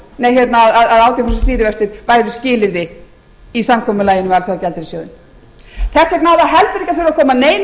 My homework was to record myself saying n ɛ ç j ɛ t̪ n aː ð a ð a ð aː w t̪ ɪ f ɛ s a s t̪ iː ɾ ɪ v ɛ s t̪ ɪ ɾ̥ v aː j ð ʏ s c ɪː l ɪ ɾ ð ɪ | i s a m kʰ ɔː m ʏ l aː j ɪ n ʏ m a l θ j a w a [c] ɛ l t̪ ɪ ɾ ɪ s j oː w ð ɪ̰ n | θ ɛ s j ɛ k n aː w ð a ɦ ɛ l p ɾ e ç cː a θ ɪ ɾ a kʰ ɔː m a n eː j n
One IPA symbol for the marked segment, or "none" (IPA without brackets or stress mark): c